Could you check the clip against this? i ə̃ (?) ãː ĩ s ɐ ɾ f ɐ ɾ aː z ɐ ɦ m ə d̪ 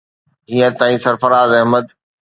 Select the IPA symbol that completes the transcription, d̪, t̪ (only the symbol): t̪